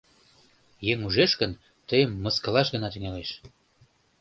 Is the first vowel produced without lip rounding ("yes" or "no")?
yes